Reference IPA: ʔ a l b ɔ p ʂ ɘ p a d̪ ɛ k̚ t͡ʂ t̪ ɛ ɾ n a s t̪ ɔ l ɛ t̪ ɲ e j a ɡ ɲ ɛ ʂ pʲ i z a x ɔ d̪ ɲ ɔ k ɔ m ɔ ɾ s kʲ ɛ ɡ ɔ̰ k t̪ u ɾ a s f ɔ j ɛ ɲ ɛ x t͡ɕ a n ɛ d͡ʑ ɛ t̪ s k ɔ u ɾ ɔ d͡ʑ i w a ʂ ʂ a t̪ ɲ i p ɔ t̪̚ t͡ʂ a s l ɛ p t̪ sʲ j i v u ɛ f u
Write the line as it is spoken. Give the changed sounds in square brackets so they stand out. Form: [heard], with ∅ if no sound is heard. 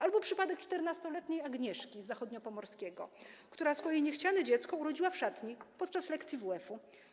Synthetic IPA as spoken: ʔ a l b ɔ p ʂ ɘ p a d̪ ɛ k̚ t͡ʂ t̪ ɛ ɾ n a s t̪ ɔ l ɛ t̪ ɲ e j a ɡ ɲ ɛ ʂ [kʲ] i z a x ɔ d̪ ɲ ɔ [p] ɔ m ɔ ɾ s kʲ ɛ ɡ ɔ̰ k t̪ u ɾ a s f ɔ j ɛ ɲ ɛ x t͡ɕ a n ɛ d͡ʑ ɛ t̪ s k ɔ u ɾ ɔ d͡ʑ i w a [f] ʂ a t̪ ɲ i p ɔ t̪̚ t͡ʂ a s l ɛ [k] t̪ sʲ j i v u ɛ f u